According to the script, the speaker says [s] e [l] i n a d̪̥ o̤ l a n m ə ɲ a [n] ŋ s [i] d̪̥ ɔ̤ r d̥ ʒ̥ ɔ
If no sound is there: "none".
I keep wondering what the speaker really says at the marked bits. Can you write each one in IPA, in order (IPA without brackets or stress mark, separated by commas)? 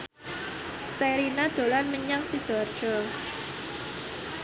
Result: s, ɾ, none, i